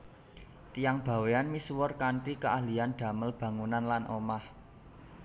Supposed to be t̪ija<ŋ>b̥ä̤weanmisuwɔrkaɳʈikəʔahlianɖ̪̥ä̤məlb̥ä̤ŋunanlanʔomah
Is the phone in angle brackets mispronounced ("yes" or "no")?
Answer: no